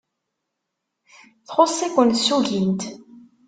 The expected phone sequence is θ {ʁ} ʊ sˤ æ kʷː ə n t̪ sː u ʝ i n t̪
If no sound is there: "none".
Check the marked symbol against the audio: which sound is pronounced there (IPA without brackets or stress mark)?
χ